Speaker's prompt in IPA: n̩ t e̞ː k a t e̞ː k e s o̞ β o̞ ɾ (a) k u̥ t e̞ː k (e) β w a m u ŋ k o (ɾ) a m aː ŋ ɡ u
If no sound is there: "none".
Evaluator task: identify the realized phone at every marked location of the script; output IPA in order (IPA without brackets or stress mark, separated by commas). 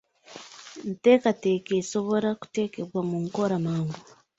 a, e, ɾ